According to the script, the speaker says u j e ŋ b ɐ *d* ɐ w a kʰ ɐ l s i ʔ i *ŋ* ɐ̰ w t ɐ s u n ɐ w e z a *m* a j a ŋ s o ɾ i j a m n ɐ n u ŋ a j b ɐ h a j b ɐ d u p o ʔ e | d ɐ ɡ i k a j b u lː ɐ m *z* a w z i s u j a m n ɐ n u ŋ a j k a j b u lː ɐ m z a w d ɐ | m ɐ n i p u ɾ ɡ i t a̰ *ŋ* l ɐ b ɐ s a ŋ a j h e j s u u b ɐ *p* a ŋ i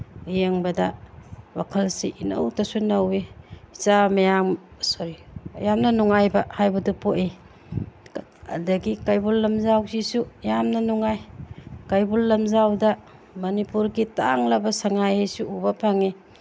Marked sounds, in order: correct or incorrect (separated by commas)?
correct, incorrect, correct, correct, correct, incorrect